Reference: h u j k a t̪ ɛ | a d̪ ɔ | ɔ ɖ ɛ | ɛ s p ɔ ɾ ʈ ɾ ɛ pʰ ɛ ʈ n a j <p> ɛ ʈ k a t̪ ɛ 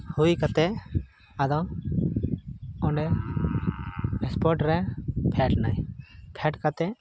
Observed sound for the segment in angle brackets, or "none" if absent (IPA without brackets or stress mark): pʰ